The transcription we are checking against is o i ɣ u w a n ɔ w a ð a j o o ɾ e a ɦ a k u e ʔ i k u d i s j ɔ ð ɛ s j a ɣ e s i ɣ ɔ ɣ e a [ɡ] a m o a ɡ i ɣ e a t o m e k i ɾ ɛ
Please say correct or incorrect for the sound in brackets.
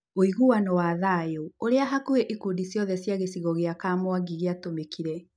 incorrect